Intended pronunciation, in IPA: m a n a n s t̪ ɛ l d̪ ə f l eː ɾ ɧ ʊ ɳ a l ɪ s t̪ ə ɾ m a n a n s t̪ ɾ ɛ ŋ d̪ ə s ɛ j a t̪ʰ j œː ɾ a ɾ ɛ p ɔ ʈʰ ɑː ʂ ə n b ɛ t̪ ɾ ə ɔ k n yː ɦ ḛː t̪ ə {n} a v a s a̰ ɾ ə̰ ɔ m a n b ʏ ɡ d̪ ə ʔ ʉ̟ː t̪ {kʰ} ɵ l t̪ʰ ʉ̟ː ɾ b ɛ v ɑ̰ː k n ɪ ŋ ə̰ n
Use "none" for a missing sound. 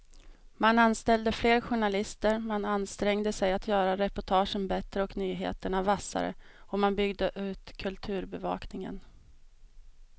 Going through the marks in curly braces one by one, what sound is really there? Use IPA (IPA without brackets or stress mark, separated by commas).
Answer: ɳ, kʰ